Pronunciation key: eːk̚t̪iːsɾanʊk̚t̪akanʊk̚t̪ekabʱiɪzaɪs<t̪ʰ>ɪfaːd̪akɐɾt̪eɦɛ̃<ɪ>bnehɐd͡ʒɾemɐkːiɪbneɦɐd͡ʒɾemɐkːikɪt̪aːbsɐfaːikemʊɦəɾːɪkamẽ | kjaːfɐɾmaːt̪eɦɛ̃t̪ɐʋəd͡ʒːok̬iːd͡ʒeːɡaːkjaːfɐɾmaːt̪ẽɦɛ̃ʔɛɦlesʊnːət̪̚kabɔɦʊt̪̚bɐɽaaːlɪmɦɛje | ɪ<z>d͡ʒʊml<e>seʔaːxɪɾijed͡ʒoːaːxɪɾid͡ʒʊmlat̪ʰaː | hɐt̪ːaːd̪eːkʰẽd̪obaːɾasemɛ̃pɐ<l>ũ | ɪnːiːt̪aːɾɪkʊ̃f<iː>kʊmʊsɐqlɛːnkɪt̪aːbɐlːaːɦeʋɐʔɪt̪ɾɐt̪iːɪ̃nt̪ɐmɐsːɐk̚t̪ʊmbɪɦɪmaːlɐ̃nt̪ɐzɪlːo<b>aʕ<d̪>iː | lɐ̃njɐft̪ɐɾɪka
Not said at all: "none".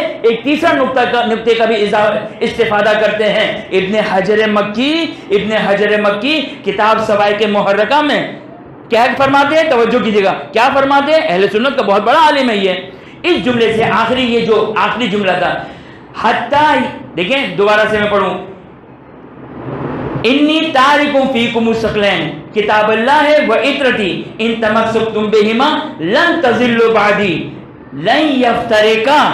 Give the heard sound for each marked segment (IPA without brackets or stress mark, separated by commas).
t̪, ɪ, s, e, ɽ, iː, b, d̪